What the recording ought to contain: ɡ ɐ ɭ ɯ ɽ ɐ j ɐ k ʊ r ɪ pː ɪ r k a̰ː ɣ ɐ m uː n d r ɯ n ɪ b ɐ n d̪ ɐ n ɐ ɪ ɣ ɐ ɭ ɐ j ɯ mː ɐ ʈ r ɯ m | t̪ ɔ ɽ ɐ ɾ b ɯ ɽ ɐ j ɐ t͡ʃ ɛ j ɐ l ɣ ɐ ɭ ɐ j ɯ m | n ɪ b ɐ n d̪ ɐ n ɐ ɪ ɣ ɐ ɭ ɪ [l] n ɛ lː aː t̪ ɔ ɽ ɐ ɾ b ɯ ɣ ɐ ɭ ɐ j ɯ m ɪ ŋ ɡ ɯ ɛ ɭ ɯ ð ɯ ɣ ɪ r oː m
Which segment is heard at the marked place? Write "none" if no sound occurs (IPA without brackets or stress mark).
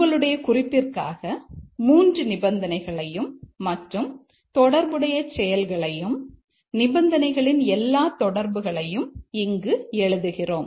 none